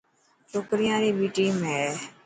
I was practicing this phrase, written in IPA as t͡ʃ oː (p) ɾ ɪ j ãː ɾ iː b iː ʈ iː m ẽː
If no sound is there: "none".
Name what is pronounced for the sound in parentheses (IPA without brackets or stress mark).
k